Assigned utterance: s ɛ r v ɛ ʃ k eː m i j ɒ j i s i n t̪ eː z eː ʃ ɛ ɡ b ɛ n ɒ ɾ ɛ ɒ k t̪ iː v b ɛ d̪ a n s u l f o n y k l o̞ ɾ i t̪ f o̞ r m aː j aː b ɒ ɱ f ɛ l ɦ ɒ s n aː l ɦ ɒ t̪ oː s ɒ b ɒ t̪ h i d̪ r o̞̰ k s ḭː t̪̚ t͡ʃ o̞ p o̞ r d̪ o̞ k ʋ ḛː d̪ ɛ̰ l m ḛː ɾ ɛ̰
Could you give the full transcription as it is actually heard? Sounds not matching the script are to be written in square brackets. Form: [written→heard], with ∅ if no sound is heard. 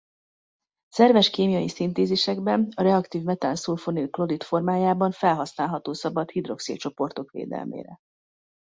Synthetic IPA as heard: s ɛ r v ɛ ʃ k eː m i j ɒ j i s i n t̪ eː z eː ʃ ɛ ɡ b ɛ n ɒ ɾ ɛ ɒ k t̪ iː v [b→m] ɛ [d̪→t̪] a n s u l f o n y k l o̞ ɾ i t̪ f o̞ r m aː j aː b ɒ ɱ f ɛ l ɦ ɒ s n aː l ɦ ɒ t̪ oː s ɒ b ɒ t̪ h i d̪ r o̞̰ k s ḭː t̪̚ t͡ʃ o̞ p o̞ r [d̪→t̪] o̞ k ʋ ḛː d̪ ɛ̰ l m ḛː ɾ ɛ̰

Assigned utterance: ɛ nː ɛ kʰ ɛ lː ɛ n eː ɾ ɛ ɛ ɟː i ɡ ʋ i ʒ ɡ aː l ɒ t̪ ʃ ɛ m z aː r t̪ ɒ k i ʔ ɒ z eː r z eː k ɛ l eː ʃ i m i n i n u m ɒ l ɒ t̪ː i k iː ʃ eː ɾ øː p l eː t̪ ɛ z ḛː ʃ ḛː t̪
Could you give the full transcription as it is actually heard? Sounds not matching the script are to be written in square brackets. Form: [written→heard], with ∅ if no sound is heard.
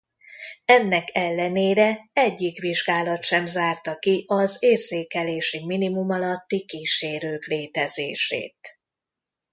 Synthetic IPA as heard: ɛ nː ɛ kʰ ɛ lː ɛ n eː ɾ ɛ ɛ ɟː i [ɡ→k] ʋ i ʒ ɡ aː l ɒ t̪ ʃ ɛ m z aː r t̪ ɒ k i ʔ ɒ z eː r z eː k ɛ l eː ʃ i m i n i [n→m] u m ɒ l ɒ t̪ː i k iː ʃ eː ɾ øː [p→k] l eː t̪ ɛ z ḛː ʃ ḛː t̪

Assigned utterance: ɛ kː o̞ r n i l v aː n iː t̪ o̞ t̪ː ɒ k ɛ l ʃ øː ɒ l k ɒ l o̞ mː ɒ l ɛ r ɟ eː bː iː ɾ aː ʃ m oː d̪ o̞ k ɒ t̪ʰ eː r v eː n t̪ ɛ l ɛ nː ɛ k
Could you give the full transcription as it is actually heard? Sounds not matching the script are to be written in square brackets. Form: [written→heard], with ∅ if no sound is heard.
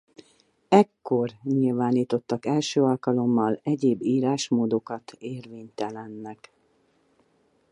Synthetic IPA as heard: ɛ kː o̞ r [n→ɲ] i l v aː n iː t̪ o̞ t̪ː ɒ k ɛ l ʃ øː ɒ l k ɒ l o̞ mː ɒ l ɛ [r→∅] ɟ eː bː iː ɾ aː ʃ m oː d̪ o̞ k ɒ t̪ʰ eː r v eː [n→ɲ] t̪ ɛ l ɛ nː ɛ k

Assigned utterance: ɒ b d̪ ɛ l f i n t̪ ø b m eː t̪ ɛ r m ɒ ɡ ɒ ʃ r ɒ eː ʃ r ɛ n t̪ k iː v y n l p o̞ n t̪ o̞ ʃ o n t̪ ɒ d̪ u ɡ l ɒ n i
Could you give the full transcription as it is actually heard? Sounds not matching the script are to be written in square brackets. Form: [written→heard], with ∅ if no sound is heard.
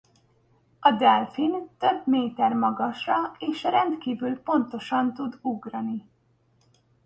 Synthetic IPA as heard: ɒ [b→∅] d̪ ɛ l f i n t̪ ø b m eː t̪ ɛ r m ɒ ɡ ɒ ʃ r ɒ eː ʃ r ɛ n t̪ k iː v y [n→∅] l p o̞ n t̪ o̞ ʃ [o→ɒ] n t̪ [ɒ→u] d̪ u ɡ [l→r] ɒ n i

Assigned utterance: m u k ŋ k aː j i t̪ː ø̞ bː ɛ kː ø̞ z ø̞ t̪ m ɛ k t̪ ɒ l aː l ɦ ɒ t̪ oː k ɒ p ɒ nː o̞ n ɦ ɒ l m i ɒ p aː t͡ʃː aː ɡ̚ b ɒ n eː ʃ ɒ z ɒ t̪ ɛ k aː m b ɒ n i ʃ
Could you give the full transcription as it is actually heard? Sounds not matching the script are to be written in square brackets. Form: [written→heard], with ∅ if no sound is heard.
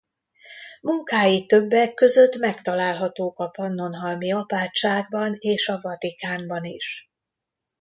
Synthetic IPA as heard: m u [k→∅] ŋ k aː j i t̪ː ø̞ bː ɛ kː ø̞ z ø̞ t̪ m ɛ k t̪ ɒ l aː l ɦ ɒ t̪ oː k ɒ p ɒ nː o̞ n ɦ ɒ l m i ɒ p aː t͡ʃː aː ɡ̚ b ɒ n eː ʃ ɒ [z→v] ɒ t̪ [ɛ→i] k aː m b ɒ n i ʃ

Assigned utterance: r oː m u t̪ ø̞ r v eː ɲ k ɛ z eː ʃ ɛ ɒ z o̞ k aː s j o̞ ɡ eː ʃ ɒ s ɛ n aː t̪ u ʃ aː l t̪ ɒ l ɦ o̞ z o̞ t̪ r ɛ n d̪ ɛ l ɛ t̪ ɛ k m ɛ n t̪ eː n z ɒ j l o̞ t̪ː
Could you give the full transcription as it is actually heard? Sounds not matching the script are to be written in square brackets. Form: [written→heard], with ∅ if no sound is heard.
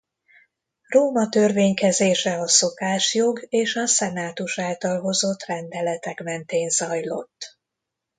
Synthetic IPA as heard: r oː m [u→ɒ] t̪ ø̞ r v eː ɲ k ɛ z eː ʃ ɛ ɒ [z→s] o̞ k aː [s→ʃ] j o̞ ɡ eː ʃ ɒ s ɛ n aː t̪ u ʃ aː l t̪ ɒ l ɦ o̞ z o̞ t̪ r ɛ n d̪ ɛ l ɛ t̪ ɛ k m ɛ n t̪ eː n z ɒ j l o̞ t̪ː

